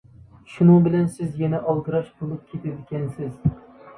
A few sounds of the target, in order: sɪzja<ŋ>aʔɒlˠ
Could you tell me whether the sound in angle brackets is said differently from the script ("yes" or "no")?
yes